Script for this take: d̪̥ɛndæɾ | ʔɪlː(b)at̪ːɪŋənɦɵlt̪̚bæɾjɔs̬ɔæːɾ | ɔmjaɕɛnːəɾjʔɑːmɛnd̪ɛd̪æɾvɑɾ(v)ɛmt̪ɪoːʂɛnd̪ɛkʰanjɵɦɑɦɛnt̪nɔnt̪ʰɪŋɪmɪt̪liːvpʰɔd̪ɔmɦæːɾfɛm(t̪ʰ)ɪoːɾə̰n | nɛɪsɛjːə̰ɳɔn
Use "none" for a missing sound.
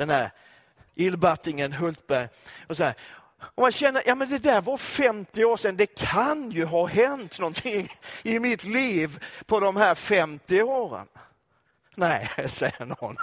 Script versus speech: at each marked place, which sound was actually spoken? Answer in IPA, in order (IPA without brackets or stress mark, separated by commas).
b, f, t̪